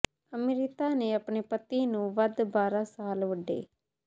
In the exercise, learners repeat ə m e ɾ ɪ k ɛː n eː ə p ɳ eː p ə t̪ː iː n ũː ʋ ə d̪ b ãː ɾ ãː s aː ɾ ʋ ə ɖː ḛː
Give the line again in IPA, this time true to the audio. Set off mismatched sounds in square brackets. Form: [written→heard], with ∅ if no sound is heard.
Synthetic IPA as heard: ə m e ɾ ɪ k [ɛː→aː] n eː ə p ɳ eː p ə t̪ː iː n ũː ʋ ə d̪ b [ãː→aː] ɾ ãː s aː [ɾ→l] ʋ ə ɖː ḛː

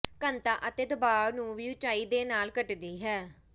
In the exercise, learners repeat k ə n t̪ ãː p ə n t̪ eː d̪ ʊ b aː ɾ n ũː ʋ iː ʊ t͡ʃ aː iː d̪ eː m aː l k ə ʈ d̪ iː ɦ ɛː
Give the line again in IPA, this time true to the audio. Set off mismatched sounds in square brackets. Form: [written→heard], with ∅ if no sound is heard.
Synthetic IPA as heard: k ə n t̪ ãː [p→ʔ] ə [n→∅] t̪ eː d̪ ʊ b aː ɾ n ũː ʋ iː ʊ t͡ʃ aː iː d̪ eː [m→n] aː l k ə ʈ d̪ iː ɦ ɛː

